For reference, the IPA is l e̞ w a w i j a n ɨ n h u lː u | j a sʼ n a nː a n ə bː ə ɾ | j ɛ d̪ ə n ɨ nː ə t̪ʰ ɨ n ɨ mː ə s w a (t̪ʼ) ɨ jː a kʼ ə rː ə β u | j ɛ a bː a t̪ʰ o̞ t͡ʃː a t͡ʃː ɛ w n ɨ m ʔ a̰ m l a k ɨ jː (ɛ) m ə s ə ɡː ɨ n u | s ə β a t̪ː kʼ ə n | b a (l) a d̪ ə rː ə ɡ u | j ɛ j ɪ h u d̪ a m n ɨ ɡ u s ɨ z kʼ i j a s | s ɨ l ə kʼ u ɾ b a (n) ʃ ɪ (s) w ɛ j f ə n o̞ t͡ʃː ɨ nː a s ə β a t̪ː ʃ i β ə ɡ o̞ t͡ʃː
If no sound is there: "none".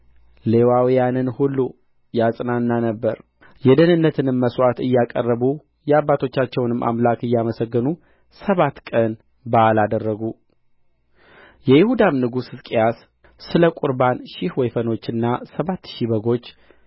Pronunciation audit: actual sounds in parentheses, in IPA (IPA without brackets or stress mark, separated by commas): t̪, a, l, n, h